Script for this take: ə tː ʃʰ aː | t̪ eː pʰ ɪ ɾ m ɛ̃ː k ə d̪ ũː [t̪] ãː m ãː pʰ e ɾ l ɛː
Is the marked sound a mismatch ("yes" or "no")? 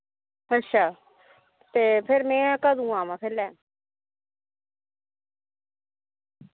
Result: yes